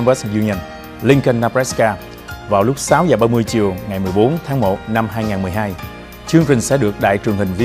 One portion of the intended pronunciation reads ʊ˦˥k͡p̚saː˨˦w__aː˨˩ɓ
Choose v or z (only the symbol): z